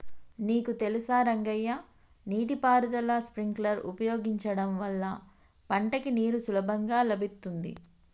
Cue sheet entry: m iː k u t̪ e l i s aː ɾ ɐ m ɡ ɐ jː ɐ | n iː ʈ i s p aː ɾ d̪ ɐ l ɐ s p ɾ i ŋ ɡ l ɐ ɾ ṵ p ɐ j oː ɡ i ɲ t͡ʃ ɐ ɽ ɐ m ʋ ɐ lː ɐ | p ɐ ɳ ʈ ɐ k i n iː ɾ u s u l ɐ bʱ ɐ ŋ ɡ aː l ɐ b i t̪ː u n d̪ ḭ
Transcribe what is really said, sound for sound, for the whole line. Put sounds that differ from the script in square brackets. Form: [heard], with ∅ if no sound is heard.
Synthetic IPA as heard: [n] iː k u t̪ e l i s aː ɾ ɐ [ŋ] ɡ ɐ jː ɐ | n iː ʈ i [∅] p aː ɾ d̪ ɐ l ɐ s p ɾ i ŋ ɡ l ɐ ɾ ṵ p ɐ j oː ɡ i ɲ t͡ʃ ɐ ɽ ɐ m ʋ ɐ lː ɐ | p ɐ ɳ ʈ ɐ k i n iː ɾ u s u l ɐ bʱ ɐ ŋ ɡ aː l ɐ b i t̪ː u n d̪ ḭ